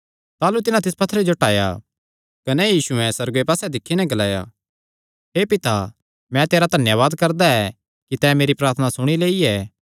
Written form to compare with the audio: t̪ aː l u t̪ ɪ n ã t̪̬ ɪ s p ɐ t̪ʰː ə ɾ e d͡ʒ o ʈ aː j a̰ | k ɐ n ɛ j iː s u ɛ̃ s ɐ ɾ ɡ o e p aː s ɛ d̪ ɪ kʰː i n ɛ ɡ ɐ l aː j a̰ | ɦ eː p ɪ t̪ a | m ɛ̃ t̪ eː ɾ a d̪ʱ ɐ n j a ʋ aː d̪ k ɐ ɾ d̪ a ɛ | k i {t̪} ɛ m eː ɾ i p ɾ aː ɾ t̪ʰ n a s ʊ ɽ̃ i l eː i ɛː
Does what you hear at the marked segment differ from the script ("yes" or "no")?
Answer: no